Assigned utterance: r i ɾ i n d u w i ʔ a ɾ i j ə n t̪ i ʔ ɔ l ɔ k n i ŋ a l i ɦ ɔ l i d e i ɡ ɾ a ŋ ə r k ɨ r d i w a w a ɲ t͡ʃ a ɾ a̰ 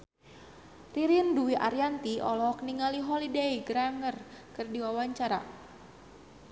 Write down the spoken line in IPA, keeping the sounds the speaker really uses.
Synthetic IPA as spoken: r i ɾ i n d u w i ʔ a ɾ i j a n t̪ i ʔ ɔ l ɔ k n i ŋ a l i ɦ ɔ l i d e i ɡ ɾ a ŋ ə r k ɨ r d i w a w a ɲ t͡ʃ a ɾ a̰